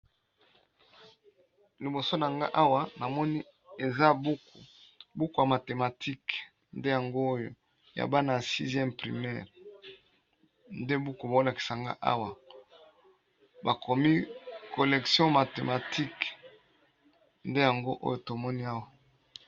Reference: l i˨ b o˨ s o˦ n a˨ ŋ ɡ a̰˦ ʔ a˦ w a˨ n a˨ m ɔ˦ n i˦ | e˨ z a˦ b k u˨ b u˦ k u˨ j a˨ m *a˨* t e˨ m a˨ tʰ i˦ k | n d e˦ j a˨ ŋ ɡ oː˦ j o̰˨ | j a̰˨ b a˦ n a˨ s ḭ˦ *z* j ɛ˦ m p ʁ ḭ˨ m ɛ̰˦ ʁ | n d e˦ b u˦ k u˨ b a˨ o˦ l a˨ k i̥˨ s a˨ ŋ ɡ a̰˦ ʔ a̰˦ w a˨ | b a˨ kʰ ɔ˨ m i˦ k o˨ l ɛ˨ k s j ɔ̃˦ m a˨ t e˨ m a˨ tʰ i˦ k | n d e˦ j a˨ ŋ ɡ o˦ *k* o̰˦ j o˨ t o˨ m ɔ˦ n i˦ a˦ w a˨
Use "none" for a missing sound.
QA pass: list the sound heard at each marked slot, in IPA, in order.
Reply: a˨, z, ʔ

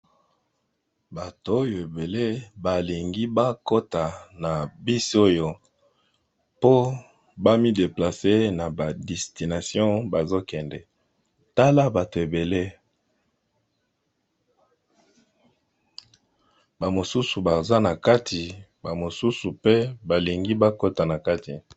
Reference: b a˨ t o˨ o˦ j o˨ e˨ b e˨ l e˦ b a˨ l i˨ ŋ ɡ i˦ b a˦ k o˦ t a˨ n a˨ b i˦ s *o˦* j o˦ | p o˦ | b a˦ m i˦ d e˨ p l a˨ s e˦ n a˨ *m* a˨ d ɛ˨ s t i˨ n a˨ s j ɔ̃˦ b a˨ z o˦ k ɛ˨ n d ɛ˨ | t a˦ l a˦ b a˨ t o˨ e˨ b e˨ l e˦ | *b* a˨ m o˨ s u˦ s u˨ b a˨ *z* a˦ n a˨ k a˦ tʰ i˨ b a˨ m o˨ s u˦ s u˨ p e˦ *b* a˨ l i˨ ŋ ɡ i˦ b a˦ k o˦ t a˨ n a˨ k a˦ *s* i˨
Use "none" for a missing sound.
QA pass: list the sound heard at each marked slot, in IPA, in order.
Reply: o˦, b, b, z, b, t

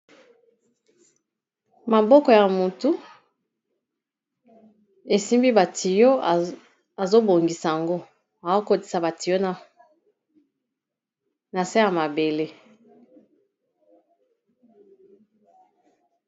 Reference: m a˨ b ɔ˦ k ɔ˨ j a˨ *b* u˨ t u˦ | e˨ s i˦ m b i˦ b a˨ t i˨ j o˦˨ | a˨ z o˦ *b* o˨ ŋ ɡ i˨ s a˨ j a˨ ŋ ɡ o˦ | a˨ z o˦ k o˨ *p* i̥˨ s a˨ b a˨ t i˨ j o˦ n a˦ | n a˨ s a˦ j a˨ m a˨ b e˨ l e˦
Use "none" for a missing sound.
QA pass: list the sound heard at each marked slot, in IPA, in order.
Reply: m, b, t

